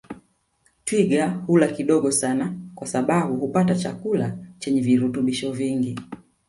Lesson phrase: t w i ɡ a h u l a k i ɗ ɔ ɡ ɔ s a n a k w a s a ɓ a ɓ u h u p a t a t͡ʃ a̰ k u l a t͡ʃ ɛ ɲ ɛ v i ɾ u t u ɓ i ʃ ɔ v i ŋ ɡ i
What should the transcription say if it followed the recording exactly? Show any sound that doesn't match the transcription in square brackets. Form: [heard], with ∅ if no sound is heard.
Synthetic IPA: t w i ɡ a h u l a k i ɗ ɔ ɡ ɔ s a n a k w a s a ɓ a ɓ u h u p a t a t͡ʃ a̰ k u l a t͡ʃ ɛ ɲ ɛ v i ɾ u t u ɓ i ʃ ɔ v i ŋ ɡ i